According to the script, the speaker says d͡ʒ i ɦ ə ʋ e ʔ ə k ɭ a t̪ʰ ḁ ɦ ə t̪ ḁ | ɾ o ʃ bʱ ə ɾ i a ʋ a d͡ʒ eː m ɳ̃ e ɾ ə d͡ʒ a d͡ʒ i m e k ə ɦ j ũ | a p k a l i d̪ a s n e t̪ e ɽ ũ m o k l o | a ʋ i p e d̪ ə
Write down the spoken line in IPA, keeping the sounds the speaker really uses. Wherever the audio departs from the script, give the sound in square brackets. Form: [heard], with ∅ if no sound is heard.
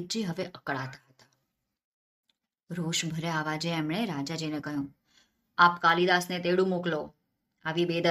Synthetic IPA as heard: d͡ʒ i ɦ ə ʋ e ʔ ə k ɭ a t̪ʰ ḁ ɦ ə t̪ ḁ | ɾ o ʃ bʱ ə ɾ [e] a ʋ a d͡ʒ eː m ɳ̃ e ɾ [a] d͡ʒ a d͡ʒ i [n] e k ə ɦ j ũ | a p k a l i d̪ a s n e t̪ e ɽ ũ m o k l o | a ʋ i [b] e d̪ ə